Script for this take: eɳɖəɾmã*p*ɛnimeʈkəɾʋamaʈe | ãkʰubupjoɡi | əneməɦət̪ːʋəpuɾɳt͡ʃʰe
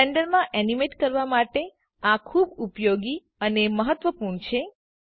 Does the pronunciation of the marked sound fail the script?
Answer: yes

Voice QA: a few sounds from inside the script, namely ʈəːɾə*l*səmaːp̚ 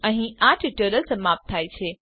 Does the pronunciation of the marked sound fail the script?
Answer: no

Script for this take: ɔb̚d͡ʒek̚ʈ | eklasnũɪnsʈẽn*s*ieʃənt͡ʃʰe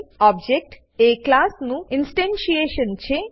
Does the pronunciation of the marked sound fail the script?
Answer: yes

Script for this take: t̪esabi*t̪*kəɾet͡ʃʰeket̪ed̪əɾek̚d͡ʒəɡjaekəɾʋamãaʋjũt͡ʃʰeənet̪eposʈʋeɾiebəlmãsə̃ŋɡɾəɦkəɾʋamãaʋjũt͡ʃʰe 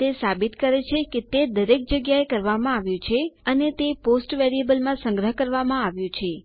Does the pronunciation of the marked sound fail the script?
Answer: no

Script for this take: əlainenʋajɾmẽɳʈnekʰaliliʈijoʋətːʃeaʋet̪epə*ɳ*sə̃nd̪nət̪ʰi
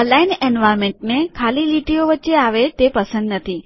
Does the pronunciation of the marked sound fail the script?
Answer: yes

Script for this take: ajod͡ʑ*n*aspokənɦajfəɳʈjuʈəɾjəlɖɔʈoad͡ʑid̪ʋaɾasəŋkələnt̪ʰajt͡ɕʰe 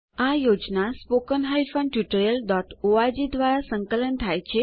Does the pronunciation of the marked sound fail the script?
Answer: no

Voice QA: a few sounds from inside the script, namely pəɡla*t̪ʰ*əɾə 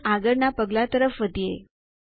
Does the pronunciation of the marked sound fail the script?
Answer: yes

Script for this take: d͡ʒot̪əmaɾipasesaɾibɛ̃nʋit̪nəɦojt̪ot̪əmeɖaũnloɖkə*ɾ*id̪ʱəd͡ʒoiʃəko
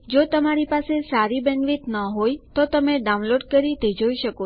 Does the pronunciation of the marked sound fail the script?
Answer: no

